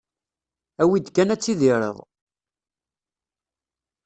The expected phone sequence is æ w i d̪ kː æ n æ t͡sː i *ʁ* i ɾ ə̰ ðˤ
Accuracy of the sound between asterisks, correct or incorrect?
incorrect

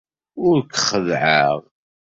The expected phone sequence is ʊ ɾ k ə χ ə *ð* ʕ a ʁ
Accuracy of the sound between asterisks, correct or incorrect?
correct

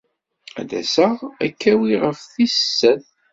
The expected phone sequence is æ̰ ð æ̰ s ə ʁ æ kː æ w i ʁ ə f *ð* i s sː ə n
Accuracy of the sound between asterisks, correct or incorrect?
incorrect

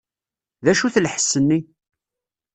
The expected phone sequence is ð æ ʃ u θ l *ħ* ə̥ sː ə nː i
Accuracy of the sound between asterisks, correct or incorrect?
correct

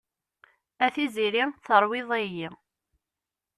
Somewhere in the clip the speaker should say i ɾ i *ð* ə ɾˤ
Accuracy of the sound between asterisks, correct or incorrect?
incorrect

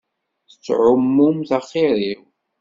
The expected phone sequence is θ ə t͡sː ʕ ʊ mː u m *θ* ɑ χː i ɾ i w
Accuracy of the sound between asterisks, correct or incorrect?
correct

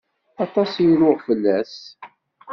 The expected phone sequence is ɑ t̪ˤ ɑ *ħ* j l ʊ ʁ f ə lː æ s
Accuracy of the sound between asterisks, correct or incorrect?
incorrect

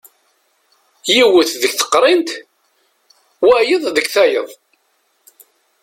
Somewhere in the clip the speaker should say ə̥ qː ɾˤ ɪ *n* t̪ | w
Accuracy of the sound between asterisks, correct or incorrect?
correct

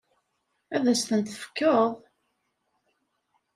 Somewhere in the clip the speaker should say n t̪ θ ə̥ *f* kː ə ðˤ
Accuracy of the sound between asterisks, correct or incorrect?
correct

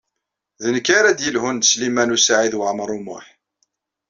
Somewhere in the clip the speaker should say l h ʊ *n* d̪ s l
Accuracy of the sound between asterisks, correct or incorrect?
correct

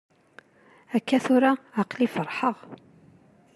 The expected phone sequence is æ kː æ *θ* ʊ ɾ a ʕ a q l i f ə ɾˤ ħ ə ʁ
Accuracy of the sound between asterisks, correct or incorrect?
correct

